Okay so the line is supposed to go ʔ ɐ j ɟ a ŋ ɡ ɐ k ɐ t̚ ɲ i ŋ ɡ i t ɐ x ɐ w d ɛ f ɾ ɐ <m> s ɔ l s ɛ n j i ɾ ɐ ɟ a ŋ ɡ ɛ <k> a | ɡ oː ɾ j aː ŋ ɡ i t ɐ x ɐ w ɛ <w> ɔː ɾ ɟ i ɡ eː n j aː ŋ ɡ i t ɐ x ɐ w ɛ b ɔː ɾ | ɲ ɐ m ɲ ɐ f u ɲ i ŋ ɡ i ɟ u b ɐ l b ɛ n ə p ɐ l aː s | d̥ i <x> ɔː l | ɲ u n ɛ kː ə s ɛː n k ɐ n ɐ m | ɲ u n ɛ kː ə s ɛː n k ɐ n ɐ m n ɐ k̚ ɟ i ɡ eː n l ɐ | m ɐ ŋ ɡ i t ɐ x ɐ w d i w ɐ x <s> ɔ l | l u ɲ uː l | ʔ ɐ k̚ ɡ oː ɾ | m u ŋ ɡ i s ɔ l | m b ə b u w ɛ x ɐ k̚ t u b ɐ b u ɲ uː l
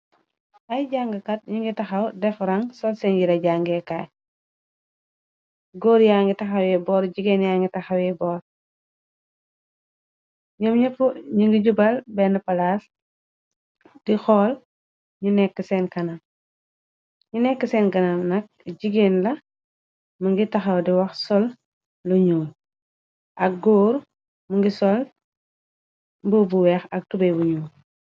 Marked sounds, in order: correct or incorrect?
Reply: incorrect, correct, incorrect, correct, correct

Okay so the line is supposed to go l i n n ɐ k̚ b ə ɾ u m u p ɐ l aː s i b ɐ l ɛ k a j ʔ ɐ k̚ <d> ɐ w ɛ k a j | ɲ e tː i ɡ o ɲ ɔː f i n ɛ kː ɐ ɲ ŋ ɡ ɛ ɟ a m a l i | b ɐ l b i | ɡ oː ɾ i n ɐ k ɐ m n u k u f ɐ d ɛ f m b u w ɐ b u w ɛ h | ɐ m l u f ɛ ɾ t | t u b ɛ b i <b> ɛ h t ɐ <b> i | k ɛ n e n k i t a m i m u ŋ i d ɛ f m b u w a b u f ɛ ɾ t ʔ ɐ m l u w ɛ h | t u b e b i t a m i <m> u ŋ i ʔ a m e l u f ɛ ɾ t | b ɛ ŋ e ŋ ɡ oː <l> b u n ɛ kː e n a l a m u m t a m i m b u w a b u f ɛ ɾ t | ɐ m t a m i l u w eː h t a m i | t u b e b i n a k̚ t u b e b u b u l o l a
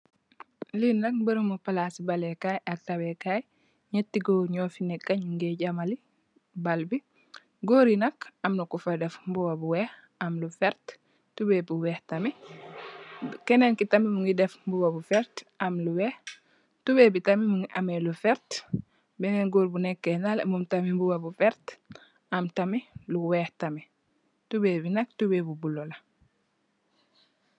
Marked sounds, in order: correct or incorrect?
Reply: incorrect, incorrect, incorrect, correct, incorrect

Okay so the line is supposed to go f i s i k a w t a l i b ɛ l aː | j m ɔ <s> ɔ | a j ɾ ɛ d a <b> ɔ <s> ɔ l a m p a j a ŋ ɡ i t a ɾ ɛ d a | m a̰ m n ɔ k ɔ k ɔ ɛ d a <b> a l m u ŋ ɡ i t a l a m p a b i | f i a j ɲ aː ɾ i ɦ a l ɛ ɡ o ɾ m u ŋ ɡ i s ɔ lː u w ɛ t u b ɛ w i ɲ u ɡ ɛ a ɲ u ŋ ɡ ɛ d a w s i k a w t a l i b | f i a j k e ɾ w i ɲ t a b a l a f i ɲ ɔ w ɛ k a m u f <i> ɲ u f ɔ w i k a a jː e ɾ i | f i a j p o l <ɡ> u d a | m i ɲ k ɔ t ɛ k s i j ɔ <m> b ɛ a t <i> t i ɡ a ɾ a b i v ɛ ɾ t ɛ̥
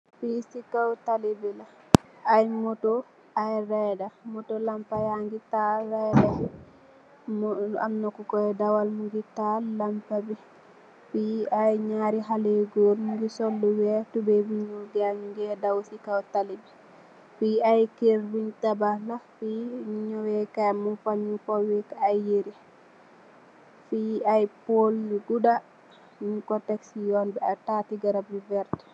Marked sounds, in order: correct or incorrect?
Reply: incorrect, incorrect, incorrect, incorrect, incorrect, correct, incorrect, incorrect

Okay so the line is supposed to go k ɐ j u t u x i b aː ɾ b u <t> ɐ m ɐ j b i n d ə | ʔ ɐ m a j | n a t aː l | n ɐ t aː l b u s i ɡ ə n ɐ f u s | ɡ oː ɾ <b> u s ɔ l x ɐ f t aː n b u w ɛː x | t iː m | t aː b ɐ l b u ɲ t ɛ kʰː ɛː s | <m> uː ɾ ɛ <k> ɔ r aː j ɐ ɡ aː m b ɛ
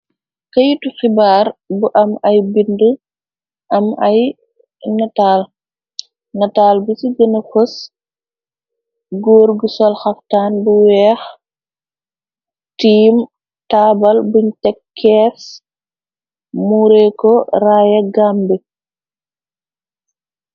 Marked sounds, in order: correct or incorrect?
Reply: incorrect, incorrect, correct, correct

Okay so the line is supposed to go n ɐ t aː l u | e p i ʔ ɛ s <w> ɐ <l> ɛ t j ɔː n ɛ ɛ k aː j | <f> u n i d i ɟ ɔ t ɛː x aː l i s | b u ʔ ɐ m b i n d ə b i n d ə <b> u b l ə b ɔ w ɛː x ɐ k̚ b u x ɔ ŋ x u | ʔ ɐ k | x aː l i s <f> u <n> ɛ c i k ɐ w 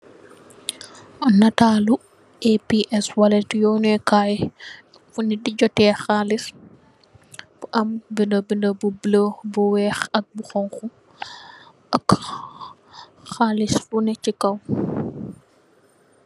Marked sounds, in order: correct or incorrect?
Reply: correct, correct, correct, correct, correct, correct

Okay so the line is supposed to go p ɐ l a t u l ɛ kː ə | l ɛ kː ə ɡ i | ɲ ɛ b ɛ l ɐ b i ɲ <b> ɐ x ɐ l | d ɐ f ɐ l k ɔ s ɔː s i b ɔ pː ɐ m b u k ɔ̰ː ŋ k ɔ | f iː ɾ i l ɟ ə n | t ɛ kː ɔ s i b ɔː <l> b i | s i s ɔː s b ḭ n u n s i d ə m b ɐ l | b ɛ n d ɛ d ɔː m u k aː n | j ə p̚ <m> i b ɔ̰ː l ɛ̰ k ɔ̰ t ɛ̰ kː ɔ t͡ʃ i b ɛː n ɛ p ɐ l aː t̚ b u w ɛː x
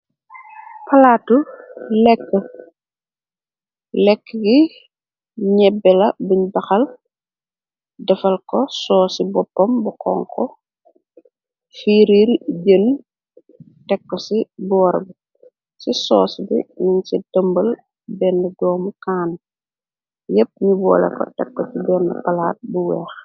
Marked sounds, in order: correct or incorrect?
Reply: correct, incorrect, incorrect

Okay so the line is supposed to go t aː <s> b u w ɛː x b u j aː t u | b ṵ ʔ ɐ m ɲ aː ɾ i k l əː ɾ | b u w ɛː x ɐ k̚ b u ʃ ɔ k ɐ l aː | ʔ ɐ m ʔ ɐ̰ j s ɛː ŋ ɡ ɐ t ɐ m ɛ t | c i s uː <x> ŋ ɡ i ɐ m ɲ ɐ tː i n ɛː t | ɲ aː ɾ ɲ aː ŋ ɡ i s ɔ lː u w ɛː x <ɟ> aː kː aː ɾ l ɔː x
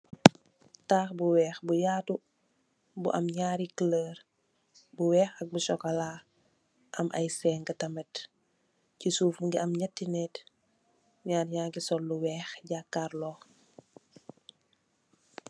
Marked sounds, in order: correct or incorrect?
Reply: incorrect, incorrect, correct

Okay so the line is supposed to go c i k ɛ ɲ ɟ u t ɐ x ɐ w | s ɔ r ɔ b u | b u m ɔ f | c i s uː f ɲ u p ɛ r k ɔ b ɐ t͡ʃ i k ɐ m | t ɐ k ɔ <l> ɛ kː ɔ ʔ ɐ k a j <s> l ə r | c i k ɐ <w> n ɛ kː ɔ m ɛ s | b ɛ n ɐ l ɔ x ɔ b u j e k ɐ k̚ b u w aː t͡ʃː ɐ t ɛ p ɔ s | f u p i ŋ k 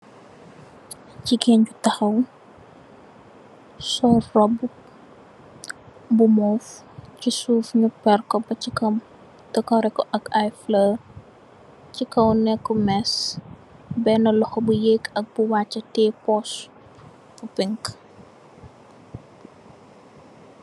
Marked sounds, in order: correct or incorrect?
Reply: incorrect, incorrect, correct

